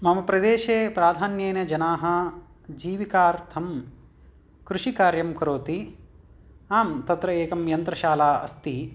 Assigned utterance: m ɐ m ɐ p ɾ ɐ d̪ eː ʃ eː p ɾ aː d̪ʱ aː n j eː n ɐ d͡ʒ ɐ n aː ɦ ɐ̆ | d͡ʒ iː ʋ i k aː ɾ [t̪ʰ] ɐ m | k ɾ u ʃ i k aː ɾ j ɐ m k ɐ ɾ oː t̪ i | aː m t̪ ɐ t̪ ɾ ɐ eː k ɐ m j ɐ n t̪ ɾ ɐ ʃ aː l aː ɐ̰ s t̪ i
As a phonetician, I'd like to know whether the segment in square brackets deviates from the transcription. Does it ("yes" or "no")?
no